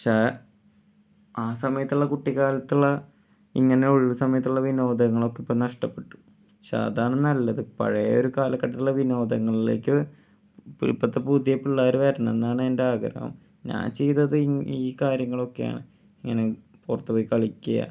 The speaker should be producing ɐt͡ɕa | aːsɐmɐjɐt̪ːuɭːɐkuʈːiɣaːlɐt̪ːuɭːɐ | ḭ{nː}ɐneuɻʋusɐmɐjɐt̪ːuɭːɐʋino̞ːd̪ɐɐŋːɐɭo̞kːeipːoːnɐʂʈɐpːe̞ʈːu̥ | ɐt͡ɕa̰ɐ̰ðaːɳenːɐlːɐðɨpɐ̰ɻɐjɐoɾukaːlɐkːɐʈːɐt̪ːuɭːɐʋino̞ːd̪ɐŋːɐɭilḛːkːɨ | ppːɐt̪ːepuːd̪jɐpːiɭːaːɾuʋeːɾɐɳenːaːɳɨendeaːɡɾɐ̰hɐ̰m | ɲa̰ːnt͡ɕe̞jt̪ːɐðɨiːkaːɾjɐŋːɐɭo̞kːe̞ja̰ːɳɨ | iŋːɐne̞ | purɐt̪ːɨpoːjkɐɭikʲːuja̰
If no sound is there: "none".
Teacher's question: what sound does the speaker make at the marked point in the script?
ŋː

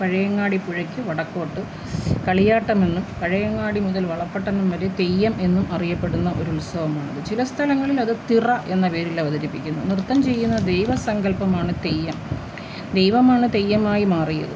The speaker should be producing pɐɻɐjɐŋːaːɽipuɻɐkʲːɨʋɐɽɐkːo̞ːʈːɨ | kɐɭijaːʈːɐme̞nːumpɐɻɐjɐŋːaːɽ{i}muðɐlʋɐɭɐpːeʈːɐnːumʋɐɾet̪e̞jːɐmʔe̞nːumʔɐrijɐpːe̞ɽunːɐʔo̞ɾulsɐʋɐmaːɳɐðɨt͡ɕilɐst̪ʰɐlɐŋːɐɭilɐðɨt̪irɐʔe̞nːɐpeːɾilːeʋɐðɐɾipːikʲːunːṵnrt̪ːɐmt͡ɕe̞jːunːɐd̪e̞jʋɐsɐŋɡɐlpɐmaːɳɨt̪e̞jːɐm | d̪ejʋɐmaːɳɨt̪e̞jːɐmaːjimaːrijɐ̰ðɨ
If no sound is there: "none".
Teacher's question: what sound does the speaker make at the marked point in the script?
i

